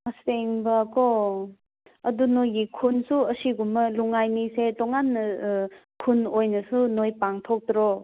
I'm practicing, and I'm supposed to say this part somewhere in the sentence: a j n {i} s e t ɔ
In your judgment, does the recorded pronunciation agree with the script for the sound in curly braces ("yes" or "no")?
yes